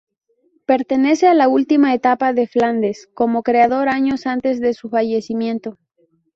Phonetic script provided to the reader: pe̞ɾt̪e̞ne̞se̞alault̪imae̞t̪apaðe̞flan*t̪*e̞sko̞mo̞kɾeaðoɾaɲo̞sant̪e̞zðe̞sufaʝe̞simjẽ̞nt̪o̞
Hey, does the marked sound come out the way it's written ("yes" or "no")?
no